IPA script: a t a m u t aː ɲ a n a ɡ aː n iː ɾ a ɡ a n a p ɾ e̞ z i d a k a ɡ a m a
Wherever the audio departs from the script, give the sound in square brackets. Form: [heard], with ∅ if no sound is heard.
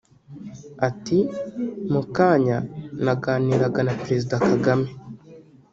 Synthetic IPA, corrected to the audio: a t [i] m u [k] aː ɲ a n a ɡ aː n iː ɾ a ɡ a n a p ɾ e̞ z i d a k a ɡ a m [e]